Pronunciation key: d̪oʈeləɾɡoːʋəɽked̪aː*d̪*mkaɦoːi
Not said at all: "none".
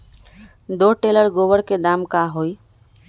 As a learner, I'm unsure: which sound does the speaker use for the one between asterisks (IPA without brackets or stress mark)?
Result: none